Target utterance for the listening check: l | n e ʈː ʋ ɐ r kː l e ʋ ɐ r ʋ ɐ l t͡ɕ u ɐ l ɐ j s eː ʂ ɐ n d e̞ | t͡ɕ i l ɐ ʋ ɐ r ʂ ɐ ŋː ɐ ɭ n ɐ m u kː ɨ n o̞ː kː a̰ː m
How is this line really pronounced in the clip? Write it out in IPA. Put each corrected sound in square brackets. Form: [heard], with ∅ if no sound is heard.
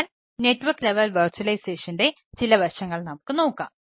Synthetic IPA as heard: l | n e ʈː ʋ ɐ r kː l e ʋ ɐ [l] ʋ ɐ [r] t͡ɕ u ɐ l ɐ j s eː ʂ ɐ n d e̞ | t͡ɕ i l ɐ ʋ ɐ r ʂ ɐ ŋː ɐ ɭ n ɐ m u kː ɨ n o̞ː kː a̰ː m

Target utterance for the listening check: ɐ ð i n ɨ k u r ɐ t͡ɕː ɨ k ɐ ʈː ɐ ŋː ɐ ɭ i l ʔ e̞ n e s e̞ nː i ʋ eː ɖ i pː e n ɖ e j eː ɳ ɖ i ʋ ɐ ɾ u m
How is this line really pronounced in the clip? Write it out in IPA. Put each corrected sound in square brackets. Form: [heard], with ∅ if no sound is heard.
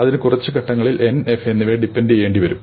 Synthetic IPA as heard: ɐ ð i n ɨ k u r ɐ t͡ɕː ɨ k ɐ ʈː ɐ ŋː ɐ ɭ i l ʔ e̞ n e [f] e̞ nː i ʋ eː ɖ i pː e n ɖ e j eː ɳ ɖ i ʋ ɐ ɾ u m

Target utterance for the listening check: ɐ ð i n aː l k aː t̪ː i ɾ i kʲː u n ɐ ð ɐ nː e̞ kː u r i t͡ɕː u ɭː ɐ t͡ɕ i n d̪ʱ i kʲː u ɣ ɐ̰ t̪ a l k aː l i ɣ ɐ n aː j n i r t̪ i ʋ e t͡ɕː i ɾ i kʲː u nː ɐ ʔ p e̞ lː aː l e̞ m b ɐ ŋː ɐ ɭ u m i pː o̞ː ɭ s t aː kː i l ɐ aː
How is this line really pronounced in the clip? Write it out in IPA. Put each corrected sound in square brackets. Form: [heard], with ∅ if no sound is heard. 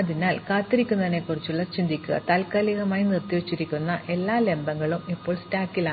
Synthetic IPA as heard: ɐ ð i n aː l k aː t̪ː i ɾ i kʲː u n ɐ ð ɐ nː e̞ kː u r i t͡ɕː u ɭː ɐ t͡ɕ i n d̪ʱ i kʲː u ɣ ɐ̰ t̪ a l k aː l i ɣ ɐ [m] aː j n i r t̪ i ʋ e t͡ɕː i ɾ i kʲː u nː ɐ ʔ [ʔ] e̞ lː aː l e̞ m b ɐ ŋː ɐ ɭ u m i pː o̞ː ɭ s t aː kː i l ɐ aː

